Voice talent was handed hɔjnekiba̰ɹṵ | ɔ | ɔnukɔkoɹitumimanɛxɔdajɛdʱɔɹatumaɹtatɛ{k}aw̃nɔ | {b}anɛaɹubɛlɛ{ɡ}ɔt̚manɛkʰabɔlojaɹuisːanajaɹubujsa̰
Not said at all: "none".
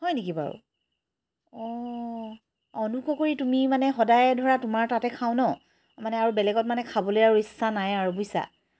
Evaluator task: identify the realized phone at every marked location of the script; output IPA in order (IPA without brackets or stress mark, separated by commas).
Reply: kʰ, m, ɡ